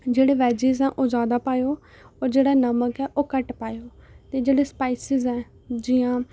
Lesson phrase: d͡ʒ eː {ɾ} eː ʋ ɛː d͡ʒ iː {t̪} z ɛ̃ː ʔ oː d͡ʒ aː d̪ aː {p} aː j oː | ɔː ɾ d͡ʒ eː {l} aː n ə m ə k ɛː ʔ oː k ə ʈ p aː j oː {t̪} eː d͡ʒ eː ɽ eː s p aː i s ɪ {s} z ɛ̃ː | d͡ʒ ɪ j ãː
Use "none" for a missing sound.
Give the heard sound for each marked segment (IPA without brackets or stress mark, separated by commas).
ɽ, none, p, ɽ, t̪, none